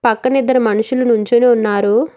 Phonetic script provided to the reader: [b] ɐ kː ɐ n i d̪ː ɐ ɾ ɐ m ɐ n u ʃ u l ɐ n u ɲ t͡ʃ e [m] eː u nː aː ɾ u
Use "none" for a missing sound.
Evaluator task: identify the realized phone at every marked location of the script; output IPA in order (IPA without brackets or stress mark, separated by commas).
p, n